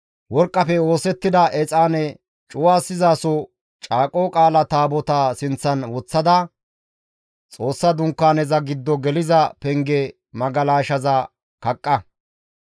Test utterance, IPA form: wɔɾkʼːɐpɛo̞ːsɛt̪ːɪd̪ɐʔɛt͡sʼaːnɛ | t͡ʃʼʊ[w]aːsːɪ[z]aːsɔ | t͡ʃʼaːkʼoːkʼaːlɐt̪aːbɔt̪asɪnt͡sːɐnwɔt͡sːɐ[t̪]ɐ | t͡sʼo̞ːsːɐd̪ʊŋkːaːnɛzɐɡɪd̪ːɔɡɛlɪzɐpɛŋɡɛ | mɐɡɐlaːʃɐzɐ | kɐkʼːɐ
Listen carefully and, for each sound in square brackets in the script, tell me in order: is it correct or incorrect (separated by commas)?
correct, correct, incorrect